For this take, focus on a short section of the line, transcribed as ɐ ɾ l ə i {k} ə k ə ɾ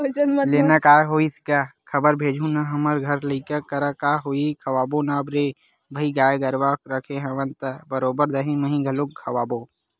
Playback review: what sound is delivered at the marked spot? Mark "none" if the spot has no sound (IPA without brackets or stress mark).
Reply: k